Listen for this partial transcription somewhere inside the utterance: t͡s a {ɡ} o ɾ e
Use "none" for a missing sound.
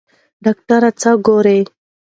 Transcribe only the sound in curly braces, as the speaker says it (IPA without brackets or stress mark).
ɡ